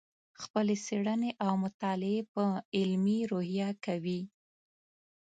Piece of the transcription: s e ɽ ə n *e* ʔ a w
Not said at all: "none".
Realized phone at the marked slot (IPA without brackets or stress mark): e